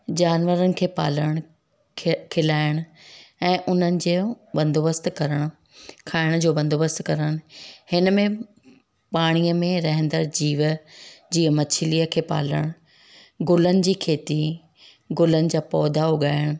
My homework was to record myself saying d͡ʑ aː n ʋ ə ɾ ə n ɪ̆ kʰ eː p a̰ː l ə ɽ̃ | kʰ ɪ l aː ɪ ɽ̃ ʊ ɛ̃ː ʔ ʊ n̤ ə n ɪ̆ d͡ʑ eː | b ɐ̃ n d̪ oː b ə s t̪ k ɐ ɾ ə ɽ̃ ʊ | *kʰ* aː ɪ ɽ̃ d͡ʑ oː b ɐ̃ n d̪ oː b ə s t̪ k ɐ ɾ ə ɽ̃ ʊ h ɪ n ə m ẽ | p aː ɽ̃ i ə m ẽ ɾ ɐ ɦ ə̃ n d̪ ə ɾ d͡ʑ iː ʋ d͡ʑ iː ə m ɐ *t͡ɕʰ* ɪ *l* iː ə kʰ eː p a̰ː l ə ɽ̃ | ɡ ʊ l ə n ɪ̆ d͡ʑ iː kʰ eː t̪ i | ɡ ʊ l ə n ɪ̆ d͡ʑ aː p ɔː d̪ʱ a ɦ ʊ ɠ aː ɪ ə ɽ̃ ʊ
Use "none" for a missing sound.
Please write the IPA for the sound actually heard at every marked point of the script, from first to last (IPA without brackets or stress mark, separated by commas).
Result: kʰ, t͡ɕʰ, l